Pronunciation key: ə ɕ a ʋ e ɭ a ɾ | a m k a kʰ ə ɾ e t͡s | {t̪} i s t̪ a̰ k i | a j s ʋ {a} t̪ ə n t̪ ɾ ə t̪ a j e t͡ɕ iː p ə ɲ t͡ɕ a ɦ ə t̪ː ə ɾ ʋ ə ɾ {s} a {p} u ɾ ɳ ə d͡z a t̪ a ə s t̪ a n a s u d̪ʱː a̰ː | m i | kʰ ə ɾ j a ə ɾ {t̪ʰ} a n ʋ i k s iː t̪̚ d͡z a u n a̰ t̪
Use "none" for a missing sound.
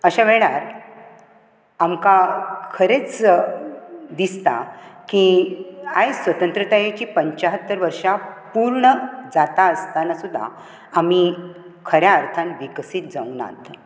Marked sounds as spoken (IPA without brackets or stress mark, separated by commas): d̪, ə, ʂ, p, t̪ʰ